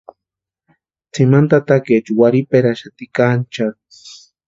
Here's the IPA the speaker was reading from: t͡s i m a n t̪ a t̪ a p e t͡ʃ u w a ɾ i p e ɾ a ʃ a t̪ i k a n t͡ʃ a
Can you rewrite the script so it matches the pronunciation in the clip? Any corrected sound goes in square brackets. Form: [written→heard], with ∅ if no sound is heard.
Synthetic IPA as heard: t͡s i m a n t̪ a t̪ a [p→k] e t͡ʃ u w a ɾ i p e ɾ a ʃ a t̪ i k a n t͡ʃ a